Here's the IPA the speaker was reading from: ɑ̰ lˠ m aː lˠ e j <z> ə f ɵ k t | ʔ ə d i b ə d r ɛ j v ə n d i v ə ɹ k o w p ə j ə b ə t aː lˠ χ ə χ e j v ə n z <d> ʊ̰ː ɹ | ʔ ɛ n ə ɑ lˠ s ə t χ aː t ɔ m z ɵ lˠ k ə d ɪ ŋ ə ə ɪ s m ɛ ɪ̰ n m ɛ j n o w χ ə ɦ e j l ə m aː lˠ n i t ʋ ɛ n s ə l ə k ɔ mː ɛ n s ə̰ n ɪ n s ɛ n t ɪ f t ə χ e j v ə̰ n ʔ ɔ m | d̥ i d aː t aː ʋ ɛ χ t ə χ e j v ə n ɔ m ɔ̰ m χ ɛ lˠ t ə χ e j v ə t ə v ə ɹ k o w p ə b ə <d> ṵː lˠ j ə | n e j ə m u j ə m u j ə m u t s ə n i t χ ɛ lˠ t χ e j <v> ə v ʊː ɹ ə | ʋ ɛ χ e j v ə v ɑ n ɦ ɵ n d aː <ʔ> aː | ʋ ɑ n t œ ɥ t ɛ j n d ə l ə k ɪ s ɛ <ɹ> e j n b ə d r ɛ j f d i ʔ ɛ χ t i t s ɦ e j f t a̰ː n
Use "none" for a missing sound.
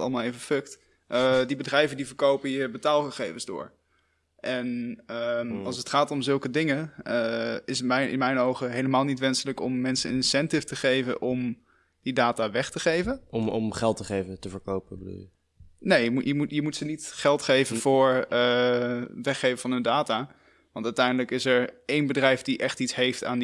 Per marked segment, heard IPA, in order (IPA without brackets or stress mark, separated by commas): v, d, d, v, t, ɹ